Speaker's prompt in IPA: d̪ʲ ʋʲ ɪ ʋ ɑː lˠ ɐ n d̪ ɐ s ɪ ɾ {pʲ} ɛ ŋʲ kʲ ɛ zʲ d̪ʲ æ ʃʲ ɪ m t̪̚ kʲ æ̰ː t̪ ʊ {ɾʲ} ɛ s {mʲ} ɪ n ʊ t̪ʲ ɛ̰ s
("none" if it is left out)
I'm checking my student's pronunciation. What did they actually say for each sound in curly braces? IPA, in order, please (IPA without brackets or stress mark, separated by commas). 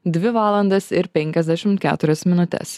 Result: pʲ, ɾʲ, mʲ